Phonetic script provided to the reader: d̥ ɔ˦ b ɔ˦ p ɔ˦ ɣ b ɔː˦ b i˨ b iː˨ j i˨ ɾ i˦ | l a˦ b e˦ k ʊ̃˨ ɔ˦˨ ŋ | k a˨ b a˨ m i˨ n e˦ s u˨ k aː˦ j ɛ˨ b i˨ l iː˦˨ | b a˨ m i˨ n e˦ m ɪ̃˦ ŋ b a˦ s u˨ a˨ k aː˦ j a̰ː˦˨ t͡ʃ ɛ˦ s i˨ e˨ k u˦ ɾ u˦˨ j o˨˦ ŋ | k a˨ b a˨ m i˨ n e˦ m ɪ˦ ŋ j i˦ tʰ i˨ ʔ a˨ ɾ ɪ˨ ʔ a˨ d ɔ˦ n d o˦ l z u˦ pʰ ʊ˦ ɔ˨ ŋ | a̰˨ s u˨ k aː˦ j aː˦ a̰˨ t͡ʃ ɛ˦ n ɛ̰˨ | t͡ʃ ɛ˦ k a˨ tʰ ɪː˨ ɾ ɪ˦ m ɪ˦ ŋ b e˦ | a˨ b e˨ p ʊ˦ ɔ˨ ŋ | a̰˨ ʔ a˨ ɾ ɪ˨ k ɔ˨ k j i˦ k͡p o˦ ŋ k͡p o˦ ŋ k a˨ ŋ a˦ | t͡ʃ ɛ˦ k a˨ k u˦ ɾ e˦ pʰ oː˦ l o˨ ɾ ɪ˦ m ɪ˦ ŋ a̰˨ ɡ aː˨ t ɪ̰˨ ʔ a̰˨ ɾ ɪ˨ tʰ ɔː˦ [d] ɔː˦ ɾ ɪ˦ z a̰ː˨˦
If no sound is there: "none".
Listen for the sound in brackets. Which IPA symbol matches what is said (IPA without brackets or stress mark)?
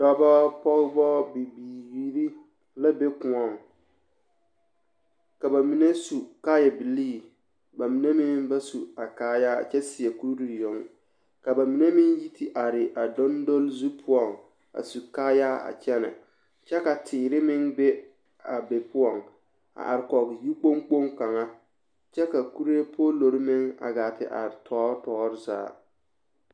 t